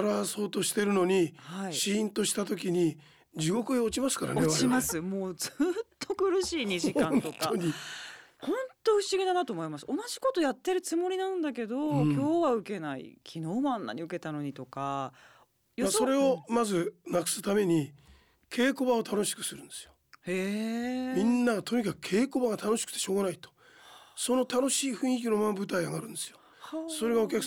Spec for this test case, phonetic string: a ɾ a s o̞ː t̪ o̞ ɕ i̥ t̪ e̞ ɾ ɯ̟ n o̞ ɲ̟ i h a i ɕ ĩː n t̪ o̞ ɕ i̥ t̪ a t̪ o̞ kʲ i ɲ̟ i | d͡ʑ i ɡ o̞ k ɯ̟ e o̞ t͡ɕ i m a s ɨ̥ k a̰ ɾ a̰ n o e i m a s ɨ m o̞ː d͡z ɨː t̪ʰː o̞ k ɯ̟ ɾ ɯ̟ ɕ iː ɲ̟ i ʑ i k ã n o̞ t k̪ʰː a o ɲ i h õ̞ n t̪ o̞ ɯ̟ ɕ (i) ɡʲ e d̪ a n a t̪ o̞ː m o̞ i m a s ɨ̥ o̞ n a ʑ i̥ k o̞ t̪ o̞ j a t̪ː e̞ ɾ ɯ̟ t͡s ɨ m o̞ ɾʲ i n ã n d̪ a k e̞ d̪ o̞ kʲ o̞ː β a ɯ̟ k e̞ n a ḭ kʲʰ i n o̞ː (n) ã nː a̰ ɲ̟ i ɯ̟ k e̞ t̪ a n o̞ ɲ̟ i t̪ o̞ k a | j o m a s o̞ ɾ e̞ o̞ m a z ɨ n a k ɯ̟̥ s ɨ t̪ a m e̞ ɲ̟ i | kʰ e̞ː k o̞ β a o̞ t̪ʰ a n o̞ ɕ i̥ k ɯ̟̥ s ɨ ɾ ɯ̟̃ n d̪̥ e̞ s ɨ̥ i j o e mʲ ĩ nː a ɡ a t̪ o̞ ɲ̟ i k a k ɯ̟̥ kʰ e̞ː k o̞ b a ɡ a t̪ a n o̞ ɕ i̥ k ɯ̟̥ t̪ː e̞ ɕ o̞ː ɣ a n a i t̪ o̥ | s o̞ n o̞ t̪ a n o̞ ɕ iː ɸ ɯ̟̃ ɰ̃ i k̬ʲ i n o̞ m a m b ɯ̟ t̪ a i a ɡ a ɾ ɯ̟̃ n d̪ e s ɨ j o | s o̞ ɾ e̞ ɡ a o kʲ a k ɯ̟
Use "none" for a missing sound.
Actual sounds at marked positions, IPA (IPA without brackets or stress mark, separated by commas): i, m